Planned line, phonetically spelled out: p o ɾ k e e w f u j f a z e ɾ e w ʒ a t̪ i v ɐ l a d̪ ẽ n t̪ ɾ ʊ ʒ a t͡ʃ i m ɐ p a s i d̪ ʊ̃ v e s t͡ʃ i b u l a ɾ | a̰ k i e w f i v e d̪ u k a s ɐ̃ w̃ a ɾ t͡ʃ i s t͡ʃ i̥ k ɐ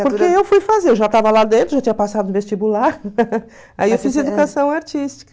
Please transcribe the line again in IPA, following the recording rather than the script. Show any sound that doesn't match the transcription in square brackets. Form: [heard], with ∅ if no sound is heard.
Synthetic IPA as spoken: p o ɾ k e e w f u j f a z e ɾ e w ʒ a t̪ [a] v ɐ l a d̪ ẽ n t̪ ɾ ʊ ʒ a t͡ʃ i [ɲ] ɐ p a s [a] d̪ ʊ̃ v e s t͡ʃ i b u l a ɾ | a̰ [∅] i e w f i [z] e d̪ u k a s ɐ̃ w̃ a ɾ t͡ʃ i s t͡ʃ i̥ k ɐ